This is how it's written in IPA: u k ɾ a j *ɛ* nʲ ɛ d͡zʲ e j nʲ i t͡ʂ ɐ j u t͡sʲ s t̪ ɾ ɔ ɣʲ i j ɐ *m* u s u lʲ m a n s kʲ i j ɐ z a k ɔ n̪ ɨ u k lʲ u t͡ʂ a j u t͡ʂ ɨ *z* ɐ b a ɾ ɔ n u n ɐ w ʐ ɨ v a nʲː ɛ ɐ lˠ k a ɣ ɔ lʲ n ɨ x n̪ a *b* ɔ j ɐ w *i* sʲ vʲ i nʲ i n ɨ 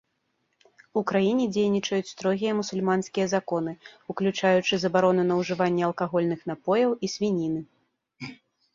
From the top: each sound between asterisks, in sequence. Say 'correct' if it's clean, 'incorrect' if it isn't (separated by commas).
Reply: incorrect, correct, correct, incorrect, correct